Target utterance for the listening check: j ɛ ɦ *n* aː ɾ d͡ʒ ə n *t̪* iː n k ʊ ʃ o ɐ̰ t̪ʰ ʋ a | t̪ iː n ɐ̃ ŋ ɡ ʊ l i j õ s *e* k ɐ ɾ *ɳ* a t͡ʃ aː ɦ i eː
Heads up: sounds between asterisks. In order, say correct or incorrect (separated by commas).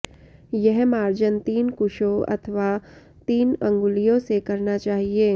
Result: incorrect, correct, correct, incorrect